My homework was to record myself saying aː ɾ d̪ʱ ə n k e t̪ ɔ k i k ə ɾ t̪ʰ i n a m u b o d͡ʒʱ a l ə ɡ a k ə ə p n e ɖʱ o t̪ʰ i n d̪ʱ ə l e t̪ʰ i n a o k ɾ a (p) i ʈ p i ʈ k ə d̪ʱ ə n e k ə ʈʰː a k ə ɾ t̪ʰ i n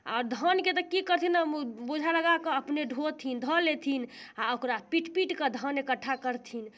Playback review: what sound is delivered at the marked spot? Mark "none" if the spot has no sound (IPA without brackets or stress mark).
p